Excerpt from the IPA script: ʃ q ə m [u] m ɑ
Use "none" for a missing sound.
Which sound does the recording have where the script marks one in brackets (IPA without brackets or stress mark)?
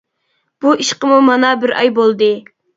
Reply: u